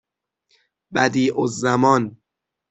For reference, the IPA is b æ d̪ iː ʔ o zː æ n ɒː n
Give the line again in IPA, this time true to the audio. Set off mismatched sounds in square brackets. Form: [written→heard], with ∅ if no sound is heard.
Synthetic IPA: b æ d̪ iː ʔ o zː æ [n→m] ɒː n